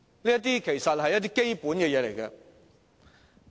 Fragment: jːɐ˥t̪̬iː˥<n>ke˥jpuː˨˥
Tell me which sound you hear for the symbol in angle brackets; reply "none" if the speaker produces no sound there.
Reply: none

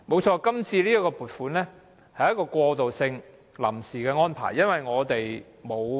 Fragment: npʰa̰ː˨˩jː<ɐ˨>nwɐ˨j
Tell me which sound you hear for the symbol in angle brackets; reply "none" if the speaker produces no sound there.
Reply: ɐ˥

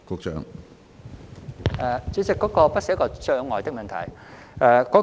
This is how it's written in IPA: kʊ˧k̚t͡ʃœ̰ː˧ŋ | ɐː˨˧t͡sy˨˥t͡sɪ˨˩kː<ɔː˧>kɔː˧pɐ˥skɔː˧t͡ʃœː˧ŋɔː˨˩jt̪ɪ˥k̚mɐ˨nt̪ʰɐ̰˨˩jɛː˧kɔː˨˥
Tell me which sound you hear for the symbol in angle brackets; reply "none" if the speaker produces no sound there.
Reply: ɔː˨˥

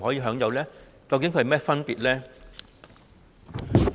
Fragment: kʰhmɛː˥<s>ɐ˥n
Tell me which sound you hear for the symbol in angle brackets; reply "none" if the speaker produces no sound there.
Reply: f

